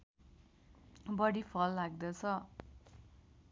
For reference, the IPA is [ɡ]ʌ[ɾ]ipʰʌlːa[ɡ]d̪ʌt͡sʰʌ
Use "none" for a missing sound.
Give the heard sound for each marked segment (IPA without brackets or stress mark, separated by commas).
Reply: b, ɽ, ɡ